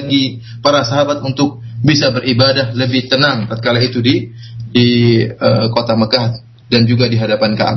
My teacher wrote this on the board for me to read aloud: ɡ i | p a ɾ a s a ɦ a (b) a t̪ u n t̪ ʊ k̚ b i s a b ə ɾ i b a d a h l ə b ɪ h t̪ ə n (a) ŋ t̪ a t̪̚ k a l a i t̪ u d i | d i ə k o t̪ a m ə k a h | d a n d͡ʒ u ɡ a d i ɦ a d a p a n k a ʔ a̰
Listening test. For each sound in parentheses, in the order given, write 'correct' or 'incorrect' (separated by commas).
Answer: correct, correct